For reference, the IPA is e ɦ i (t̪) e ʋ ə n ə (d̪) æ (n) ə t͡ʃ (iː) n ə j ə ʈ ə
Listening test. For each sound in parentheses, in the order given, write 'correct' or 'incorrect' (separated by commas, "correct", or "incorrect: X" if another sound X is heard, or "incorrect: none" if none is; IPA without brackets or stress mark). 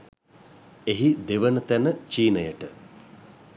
incorrect: d̪, incorrect: t̪, correct, correct